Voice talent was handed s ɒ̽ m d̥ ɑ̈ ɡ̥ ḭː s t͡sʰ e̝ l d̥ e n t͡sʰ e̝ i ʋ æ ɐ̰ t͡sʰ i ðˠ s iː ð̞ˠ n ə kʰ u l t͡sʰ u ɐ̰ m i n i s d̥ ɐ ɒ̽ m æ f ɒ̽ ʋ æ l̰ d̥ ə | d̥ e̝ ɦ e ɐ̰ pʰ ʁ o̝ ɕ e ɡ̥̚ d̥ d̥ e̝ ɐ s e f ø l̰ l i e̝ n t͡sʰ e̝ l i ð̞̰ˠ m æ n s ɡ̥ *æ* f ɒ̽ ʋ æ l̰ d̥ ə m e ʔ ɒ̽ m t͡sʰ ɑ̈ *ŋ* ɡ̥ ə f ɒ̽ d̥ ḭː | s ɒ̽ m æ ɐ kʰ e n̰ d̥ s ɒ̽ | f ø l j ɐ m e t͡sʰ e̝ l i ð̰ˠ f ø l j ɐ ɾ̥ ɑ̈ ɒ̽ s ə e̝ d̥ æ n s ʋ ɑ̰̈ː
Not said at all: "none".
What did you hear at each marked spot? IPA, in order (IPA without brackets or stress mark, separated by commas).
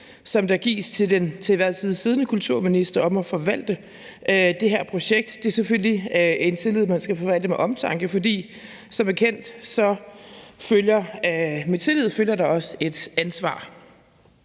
æ, ŋ